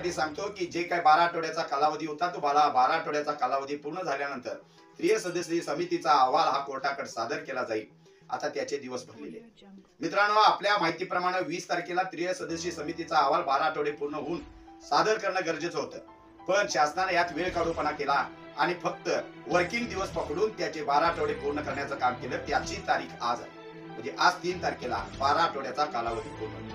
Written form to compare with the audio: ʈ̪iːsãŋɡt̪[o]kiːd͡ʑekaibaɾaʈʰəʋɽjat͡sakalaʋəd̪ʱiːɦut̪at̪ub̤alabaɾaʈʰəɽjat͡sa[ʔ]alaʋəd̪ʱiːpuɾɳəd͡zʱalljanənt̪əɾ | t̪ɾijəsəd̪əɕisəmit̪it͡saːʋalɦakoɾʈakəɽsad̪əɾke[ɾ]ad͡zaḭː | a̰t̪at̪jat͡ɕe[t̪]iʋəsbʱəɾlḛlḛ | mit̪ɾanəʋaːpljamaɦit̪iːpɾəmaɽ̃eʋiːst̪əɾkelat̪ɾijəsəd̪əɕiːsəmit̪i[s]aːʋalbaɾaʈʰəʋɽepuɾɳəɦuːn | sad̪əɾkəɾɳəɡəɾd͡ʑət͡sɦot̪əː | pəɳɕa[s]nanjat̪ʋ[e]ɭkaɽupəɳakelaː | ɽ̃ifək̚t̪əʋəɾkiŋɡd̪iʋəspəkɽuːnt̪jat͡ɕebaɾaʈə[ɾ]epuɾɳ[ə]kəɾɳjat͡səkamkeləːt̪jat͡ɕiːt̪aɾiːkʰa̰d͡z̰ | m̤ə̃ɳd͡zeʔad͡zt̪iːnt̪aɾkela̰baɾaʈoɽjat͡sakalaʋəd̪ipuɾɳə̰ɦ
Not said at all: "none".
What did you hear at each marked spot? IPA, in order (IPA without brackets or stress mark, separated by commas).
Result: o, k, l, d̪, t͡s, s, e, ɽ, ə